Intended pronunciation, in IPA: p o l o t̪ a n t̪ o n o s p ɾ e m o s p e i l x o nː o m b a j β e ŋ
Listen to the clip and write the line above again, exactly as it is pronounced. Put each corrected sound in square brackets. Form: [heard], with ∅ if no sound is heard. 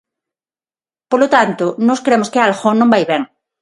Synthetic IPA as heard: p o l o t̪ a n t̪ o n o s [k] ɾ e m o s [k] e [a] l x o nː [õ] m b a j β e ŋ